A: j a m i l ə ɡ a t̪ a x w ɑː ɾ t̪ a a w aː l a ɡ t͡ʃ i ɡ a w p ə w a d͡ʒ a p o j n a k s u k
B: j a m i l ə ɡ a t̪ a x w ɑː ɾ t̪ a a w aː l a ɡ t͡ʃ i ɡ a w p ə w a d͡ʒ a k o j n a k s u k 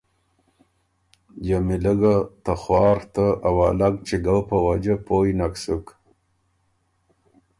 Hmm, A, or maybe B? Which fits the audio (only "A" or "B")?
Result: A